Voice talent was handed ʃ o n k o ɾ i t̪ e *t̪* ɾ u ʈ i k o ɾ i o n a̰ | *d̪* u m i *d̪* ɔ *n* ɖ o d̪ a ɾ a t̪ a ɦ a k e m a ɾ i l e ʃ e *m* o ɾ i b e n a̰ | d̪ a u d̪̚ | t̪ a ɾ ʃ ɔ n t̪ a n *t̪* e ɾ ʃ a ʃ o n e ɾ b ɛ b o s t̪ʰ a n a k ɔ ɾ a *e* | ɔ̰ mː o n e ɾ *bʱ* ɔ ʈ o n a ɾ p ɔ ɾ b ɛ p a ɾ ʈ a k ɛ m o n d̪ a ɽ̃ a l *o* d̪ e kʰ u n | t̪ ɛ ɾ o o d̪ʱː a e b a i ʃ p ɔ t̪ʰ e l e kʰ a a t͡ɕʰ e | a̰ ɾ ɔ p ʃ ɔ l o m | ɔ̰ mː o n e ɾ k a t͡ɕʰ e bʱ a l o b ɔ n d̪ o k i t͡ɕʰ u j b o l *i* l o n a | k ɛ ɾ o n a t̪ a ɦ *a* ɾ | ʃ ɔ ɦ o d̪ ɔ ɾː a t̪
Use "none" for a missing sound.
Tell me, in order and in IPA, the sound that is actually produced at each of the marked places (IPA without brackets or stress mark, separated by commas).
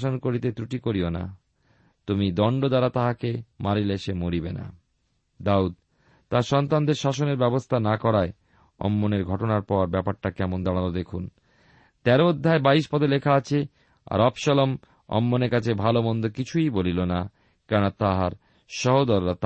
t̪, t̪, d̪, ɳ, m, d̪, e, ɡʱ, o, i, a